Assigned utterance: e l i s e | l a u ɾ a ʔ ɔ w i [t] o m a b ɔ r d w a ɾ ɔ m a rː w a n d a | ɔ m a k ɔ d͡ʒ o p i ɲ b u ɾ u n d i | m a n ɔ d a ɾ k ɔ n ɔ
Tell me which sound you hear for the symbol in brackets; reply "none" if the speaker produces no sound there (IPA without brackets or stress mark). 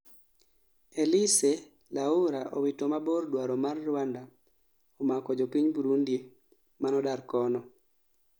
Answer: t